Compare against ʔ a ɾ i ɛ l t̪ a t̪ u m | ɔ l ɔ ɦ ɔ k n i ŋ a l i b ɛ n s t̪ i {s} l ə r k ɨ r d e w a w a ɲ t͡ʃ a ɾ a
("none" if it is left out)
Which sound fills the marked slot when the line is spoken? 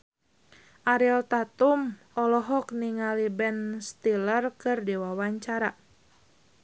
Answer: none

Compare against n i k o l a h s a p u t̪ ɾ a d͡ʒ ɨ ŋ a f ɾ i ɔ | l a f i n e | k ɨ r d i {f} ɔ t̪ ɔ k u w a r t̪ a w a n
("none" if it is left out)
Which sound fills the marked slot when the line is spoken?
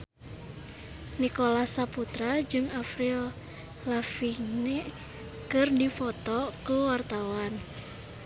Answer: f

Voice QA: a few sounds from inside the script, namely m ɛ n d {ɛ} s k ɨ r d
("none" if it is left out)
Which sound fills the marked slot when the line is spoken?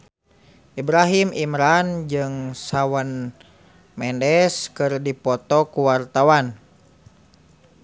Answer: ɛ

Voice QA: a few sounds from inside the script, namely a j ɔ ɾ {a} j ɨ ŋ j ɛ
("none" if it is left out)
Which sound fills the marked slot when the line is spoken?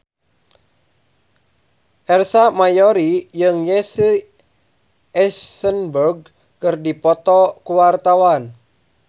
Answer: i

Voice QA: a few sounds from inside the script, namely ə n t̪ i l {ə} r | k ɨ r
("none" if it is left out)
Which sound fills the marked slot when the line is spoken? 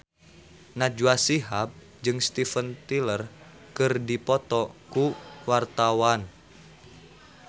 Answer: ə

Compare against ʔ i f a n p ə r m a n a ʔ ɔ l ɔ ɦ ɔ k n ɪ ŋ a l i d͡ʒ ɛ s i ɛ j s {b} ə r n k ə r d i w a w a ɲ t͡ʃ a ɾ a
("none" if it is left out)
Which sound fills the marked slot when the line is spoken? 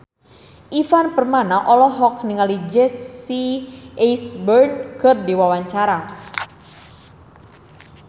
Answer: b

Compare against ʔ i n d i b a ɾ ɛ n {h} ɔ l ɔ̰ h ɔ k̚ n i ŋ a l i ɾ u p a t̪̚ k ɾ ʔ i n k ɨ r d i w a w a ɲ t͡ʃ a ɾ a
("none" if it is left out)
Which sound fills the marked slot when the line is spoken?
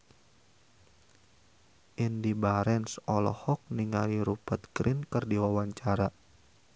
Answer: s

